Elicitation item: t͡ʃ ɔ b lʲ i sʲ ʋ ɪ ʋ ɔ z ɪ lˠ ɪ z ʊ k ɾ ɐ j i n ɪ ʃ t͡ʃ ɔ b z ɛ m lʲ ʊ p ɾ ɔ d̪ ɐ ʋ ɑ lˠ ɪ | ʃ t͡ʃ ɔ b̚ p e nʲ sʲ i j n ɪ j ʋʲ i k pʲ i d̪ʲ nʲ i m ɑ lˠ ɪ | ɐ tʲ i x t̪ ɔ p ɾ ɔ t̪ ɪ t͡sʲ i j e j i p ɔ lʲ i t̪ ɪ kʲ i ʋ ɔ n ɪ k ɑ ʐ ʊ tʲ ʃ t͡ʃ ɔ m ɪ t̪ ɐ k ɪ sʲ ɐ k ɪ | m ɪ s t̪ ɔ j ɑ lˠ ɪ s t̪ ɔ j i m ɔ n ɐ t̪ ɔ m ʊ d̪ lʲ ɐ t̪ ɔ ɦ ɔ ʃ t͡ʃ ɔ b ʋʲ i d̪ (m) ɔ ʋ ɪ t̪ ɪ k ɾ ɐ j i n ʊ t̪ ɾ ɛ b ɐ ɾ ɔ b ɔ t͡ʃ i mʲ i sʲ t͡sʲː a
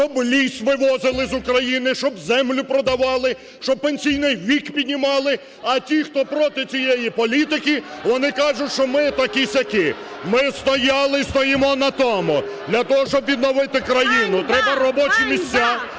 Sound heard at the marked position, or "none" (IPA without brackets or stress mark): n